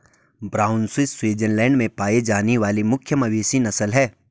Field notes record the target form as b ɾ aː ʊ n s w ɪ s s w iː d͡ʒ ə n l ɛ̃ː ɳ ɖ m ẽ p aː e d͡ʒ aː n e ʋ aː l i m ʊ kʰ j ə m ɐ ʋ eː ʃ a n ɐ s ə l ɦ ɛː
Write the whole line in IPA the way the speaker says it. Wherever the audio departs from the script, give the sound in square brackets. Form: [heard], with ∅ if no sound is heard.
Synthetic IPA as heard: b ɾ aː ʊ n s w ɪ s s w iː d͡ʒ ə n l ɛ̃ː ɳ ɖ m ẽ p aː e d͡ʒ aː n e ʋ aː l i m ʊ kʰ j ə m ɐ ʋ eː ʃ [i] n ɐ s ə l ɦ ɛː